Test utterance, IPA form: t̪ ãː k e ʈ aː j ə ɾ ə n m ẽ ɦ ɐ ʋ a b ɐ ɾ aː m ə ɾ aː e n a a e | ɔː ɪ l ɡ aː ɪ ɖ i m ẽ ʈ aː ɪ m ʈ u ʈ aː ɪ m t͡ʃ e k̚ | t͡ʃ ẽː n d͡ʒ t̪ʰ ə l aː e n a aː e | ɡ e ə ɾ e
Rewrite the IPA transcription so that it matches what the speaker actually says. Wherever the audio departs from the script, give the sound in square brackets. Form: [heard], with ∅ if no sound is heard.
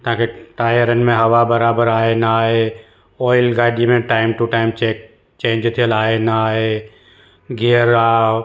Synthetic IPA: t̪ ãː k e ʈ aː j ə ɾ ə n m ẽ ɦ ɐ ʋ a b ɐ ɾ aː [b] ə ɾ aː e n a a e | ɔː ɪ l ɡ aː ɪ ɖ i m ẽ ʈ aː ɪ m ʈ u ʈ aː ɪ m t͡ʃ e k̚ | t͡ʃ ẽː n d͡ʒ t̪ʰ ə l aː e n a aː e | ɡ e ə ɾ [a]